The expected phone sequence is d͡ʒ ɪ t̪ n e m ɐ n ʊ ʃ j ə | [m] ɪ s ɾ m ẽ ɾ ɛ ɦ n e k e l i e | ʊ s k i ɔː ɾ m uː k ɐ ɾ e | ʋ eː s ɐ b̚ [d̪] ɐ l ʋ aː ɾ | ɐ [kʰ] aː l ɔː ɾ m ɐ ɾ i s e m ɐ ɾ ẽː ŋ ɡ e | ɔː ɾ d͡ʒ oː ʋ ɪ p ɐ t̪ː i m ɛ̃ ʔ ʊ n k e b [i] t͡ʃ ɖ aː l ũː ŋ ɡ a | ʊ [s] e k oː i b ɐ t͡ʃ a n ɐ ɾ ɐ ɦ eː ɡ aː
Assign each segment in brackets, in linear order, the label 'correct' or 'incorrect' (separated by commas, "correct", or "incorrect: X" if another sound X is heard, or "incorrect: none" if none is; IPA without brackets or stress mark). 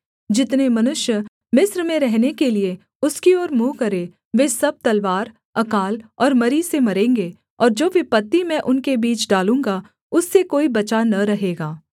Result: correct, incorrect: t̪, incorrect: k, incorrect: iː, incorrect: sː